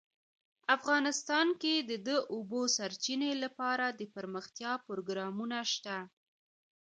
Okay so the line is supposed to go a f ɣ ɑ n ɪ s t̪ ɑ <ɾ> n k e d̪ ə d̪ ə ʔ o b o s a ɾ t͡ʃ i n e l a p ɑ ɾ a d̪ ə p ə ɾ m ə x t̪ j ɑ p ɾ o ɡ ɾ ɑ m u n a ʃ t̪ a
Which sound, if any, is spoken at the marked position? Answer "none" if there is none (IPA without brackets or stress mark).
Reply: none